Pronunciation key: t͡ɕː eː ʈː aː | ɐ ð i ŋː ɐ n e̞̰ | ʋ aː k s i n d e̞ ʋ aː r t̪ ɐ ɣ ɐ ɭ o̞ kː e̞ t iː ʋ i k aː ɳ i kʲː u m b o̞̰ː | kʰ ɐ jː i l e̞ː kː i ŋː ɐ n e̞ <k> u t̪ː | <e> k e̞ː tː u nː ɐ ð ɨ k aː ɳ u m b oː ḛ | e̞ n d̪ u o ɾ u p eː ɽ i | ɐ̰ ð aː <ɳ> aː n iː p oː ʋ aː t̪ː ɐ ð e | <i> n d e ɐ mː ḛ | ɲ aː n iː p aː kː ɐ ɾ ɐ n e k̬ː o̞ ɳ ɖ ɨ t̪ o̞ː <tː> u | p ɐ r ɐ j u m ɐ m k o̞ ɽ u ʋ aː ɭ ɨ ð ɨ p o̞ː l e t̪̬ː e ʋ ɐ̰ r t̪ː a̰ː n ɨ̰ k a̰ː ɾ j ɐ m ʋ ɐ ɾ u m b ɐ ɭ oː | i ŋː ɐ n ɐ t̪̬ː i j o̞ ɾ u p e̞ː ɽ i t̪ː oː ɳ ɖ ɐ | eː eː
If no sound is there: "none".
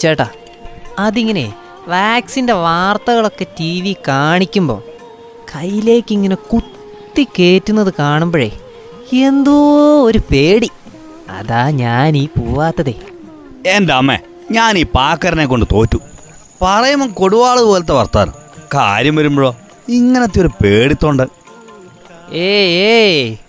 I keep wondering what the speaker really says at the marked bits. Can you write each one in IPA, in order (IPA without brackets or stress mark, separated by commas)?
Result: k, i, ɲ, e, tː